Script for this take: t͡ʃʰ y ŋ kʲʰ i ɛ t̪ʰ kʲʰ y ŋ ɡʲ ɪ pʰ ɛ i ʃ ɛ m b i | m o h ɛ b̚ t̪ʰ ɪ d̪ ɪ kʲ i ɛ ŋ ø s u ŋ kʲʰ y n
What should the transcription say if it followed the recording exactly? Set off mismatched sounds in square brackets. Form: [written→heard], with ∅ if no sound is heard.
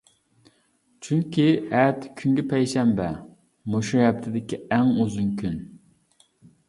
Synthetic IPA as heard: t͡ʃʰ y ŋ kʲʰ i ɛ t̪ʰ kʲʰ y ŋ ɡʲ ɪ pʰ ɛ [i→j] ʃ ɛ m b [i→ɛ] | m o [h→ʃ] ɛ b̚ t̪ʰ ɪ d̪ ɪ kʲ i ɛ ŋ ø [s→z] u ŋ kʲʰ y n